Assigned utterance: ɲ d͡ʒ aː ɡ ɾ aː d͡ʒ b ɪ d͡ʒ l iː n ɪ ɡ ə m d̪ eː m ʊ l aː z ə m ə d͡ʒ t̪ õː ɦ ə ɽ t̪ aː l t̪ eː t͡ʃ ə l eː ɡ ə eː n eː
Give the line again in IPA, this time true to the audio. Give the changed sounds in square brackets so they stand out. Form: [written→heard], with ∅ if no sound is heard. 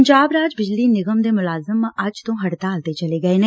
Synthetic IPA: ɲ d͡ʒ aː [ɡ→b] ɾ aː d͡ʒ b ɪ d͡ʒ l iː n ɪ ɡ ə m d̪ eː m ʊ l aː z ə m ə d͡ʒ t̪ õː ɦ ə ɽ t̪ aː l t̪ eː t͡ʃ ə l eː ɡ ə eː n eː